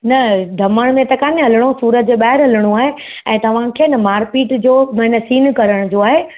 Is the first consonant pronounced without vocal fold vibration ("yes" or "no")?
no